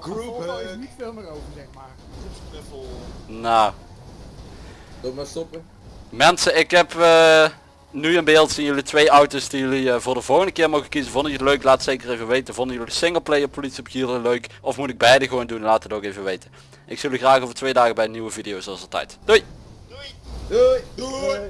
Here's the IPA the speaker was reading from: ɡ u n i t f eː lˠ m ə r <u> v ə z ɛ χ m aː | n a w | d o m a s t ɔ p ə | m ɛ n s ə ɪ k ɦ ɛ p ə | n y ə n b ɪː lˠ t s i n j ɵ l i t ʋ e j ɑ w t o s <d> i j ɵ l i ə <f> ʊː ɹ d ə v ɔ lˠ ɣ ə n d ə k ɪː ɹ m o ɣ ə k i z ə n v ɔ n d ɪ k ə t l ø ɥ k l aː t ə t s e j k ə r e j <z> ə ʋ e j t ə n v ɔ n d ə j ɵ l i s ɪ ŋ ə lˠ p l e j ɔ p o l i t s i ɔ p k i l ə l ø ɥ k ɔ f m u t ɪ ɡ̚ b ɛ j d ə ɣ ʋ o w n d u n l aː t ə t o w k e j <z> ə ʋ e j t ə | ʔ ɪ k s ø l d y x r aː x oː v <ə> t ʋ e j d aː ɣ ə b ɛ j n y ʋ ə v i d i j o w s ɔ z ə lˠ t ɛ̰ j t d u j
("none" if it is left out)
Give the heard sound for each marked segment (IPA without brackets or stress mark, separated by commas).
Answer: o, d, v, v, v, ə